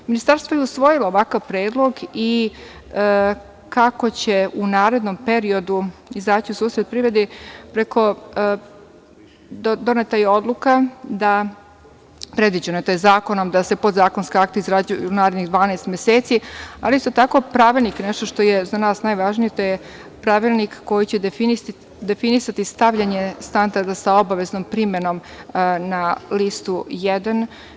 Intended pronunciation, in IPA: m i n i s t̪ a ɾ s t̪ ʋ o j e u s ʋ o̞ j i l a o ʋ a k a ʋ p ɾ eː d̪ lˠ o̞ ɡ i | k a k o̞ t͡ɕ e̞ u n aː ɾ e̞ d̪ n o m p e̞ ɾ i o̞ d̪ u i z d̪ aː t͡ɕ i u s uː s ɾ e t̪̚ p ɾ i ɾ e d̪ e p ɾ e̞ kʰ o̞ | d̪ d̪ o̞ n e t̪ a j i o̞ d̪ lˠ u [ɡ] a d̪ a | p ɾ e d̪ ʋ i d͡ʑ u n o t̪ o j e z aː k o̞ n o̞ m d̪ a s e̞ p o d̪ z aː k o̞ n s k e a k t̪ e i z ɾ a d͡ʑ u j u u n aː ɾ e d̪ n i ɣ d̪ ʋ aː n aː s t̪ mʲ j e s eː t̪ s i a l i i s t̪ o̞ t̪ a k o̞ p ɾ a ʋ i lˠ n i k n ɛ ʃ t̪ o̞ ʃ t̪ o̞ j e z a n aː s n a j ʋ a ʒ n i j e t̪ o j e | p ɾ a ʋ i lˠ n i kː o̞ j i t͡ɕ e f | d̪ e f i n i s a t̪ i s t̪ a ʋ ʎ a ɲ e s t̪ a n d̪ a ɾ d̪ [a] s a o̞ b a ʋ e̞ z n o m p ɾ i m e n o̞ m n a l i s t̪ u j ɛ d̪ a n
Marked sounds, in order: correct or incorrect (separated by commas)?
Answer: incorrect, correct